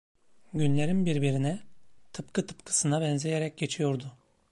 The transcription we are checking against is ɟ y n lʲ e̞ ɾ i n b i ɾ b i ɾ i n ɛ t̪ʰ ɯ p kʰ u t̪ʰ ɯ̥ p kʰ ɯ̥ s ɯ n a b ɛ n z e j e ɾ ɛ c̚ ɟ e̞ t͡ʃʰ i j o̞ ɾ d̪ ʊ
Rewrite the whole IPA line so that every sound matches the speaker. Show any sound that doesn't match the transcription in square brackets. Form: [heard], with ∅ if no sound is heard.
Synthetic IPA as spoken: ɟ y n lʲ e̞ ɾ i n b i ɾ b i ɾ i n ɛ t̪ʰ ɯ p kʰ [ɯ] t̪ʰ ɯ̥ p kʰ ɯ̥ s ɯ n a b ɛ n z e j e ɾ ɛ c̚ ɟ e̞ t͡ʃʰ i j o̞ ɾ d̪ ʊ

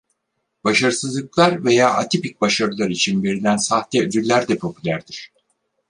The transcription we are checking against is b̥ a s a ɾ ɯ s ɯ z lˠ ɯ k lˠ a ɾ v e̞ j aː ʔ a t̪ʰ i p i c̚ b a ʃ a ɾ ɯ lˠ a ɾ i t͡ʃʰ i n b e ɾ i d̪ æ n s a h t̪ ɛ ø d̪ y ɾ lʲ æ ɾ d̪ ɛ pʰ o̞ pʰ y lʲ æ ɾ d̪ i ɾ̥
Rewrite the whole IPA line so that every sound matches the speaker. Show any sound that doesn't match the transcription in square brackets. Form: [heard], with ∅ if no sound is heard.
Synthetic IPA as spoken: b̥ a [ʃ] a ɾ ɯ s ɯ z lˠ ɯ k lˠ a ɾ v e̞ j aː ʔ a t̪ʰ i p i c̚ b a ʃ a ɾ ɯ lˠ a ɾ i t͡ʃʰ i n b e ɾ i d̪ æ n s a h t̪ ɛ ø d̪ y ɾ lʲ æ ɾ d̪ ɛ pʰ o̞ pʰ y lʲ æ ɾ d̪ i ɾ̥

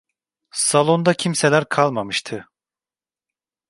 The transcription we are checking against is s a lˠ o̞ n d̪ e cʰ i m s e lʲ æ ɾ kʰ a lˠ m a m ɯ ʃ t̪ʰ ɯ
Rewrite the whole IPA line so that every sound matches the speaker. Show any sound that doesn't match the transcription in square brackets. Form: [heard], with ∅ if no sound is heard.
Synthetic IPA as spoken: s a lˠ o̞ n d̪ [a] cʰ i m s e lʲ æ ɾ kʰ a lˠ m a m ɯ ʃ t̪ʰ ɯ

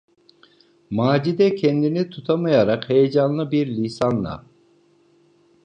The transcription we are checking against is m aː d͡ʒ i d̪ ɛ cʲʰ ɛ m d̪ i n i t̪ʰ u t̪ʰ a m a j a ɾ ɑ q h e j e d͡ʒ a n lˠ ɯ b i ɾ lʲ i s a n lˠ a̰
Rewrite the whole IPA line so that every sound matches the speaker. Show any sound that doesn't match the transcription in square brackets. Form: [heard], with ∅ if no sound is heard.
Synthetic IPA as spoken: m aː d͡ʒ i d̪ ɛ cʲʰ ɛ [n] d̪ i n i t̪ʰ u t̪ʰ a m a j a ɾ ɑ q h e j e d͡ʒ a n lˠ ɯ b i ɾ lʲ i s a n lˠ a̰

